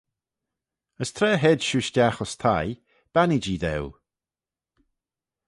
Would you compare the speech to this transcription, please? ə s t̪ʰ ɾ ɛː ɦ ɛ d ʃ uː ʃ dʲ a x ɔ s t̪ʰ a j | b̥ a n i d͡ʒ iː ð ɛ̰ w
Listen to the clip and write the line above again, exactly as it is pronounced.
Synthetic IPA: ə s t̪ʰ ɾ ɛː ɦ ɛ d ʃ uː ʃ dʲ a x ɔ s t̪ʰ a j | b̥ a n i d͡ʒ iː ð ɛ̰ w